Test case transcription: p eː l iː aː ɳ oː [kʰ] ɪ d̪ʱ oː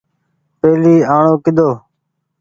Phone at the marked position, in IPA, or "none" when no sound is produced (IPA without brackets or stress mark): k